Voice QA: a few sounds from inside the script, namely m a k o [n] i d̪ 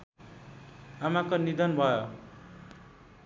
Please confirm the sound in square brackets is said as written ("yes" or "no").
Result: yes